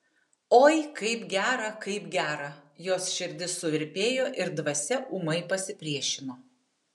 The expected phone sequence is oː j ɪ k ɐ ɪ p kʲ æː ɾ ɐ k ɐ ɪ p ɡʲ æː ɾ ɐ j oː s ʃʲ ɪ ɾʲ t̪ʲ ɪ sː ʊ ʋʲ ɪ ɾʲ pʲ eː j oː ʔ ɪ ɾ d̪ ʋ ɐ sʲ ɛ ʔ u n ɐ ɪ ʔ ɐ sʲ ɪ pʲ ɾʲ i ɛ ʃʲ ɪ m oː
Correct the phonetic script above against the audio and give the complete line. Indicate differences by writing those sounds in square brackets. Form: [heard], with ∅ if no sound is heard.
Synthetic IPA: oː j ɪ k ɐ ɪ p [ɡʲ] æː ɾ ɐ k ɐ ɪ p ɡʲ æː ɾ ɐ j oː s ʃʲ ɪ ɾʲ [d̪ʲ] ɪ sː ʊ ʋʲ ɪ ɾʲ pʲ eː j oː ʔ ɪ ɾ d̪ ʋ ɐ sʲ ɛ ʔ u [m] ɐ ɪ [p] ɐ sʲ ɪ pʲ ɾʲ i ɛ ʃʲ ɪ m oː